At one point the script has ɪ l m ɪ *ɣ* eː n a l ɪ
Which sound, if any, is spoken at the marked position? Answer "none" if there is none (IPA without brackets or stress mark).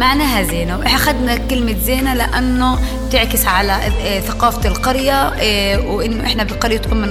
z